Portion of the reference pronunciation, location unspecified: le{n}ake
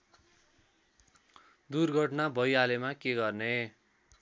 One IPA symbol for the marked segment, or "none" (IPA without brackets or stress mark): m